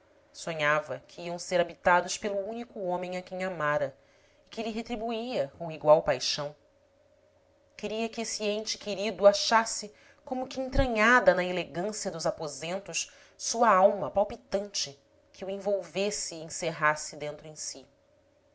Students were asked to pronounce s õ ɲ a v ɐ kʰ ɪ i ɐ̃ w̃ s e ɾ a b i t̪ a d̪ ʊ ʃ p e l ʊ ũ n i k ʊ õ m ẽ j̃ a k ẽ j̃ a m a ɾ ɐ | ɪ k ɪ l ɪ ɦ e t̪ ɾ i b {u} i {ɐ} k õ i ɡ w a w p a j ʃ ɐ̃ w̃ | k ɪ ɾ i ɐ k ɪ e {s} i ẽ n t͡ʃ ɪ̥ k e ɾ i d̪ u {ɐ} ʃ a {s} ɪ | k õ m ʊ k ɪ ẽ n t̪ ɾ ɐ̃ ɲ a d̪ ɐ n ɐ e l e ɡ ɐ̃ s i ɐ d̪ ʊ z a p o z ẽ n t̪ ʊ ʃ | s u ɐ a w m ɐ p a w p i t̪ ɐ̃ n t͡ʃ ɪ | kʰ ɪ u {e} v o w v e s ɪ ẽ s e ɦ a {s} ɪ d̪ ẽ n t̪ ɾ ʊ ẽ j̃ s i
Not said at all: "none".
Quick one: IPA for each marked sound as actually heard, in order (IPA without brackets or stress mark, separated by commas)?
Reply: u, ɐ, s, a, s, ẽ, s